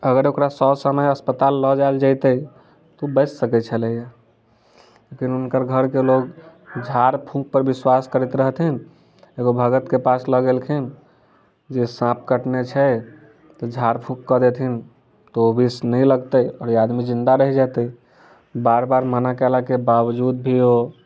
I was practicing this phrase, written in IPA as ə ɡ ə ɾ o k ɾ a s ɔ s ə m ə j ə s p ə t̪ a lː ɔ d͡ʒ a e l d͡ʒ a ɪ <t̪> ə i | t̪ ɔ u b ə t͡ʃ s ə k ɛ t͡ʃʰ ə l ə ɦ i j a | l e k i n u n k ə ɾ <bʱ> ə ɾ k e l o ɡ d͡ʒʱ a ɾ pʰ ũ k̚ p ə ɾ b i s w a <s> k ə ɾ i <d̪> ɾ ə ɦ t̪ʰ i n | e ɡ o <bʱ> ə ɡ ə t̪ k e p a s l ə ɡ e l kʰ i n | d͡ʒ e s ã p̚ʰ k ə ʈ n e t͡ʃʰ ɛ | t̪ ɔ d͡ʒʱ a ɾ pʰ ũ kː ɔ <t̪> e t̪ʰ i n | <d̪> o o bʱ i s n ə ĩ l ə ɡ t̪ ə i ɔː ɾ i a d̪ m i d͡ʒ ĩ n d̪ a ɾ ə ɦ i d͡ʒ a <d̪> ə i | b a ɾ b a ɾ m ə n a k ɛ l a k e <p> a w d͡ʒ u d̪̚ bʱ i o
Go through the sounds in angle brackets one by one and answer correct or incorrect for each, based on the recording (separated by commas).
correct, incorrect, correct, incorrect, correct, incorrect, incorrect, incorrect, incorrect